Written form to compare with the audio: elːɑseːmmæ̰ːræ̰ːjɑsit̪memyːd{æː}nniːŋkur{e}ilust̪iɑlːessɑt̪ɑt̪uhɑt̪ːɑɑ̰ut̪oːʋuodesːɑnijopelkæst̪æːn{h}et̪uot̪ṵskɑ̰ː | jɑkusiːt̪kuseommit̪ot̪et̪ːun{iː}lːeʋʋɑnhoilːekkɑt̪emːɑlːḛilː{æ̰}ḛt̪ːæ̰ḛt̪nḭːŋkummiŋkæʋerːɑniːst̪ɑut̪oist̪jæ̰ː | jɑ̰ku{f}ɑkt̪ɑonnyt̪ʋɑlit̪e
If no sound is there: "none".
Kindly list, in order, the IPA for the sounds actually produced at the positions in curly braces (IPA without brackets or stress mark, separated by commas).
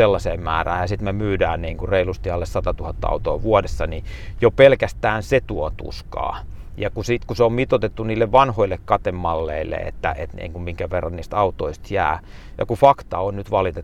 æː, e, s, iː, ḛ, f